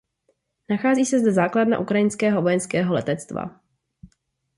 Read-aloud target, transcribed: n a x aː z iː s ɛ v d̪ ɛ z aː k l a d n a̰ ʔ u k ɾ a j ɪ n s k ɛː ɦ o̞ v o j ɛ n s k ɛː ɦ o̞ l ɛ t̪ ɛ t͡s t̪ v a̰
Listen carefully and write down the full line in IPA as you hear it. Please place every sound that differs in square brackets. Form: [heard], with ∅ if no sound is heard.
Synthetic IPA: n a x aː z iː s ɛ [z] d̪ ɛ z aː k l a d n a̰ ʔ u k ɾ a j ɪ n s k ɛː ɦ o̞ v o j ɛ n s k ɛː ɦ o̞ l ɛ t̪ ɛ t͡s t̪ v a̰